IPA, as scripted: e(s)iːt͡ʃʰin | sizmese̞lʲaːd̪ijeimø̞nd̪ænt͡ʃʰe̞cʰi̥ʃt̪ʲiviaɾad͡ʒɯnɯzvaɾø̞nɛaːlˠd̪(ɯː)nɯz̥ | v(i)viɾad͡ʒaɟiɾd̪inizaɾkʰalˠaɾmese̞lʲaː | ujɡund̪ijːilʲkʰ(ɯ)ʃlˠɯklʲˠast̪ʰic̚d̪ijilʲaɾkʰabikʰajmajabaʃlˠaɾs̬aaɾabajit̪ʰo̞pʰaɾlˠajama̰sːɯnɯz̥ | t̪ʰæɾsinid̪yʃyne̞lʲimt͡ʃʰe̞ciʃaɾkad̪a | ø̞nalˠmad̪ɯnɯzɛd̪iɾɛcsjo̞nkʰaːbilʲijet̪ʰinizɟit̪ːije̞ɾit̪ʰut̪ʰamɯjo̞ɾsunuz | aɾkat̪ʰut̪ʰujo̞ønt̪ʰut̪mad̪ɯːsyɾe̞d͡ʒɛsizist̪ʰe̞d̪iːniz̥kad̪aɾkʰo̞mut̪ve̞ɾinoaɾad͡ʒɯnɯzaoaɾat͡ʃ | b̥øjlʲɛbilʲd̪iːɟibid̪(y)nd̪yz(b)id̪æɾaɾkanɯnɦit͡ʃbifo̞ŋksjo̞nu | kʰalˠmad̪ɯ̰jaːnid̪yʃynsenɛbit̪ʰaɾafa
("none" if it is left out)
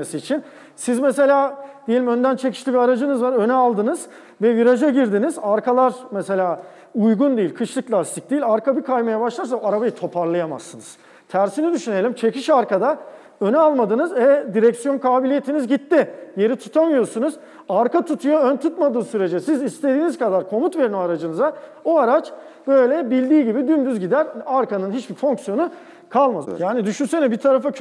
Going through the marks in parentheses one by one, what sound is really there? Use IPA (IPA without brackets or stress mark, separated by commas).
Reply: s, ɯ, ɛ, ɯ, y, ɟ